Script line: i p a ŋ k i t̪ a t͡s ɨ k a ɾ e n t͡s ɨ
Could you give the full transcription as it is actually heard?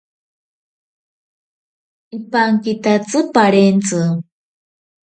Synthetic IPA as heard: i p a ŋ k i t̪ a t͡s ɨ p a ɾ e n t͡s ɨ